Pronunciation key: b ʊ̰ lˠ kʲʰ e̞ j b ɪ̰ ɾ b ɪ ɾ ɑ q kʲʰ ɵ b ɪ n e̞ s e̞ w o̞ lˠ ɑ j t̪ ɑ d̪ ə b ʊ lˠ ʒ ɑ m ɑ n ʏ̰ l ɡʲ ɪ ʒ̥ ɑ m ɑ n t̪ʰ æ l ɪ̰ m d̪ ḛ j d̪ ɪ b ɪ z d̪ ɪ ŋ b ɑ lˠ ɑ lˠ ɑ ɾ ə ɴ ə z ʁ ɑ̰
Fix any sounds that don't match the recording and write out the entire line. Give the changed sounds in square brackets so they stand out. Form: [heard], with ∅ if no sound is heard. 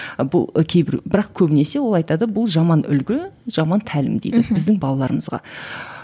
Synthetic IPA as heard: b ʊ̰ lˠ kʲʰ e̞ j b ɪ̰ ɾ b ɪ ɾ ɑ q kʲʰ ɵ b ɪ n e̞ s e̞ w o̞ lˠ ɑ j t̪ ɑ d̪ ə b ʊ lˠ ʒ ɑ m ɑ n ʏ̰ l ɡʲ ɪ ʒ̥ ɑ m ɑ n t̪ʰ æ l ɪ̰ m d̪ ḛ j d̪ ɪ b ɪ z d̪ ɪ ŋ b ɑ lˠ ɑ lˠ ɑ ɾ ə [m] ə z ʁ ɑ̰